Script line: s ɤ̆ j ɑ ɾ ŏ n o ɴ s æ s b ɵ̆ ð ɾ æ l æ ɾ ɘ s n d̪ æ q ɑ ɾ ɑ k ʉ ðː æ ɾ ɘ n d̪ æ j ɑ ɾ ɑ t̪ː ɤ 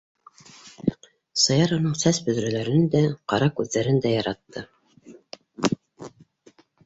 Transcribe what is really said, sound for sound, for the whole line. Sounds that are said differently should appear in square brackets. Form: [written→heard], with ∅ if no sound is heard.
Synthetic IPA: s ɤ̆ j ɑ ɾ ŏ n [o→ɤ] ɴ s æ s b ɵ̆ ð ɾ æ l æ ɾ ɘ [s→∅] n d̪ æ q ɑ ɾ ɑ k ʉ ðː æ ɾ ɘ n d̪ æ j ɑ ɾ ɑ t̪ː ɤ